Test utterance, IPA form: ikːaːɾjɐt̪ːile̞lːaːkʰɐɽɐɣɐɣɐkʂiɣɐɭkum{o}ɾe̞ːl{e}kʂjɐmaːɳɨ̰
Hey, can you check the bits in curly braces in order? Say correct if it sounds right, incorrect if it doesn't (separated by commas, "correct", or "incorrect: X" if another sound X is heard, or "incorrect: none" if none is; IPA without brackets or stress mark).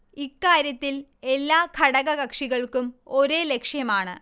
correct, correct